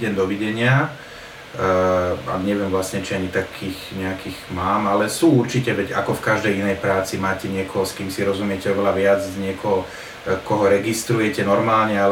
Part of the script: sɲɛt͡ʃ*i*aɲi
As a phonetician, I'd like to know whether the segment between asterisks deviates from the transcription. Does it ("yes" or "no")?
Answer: no